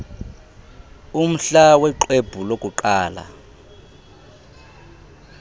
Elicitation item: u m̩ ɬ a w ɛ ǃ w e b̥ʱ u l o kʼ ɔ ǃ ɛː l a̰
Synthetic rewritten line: u m̩ ɬ a w ɛ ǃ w e b̥ʱ u l o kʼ u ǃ aː l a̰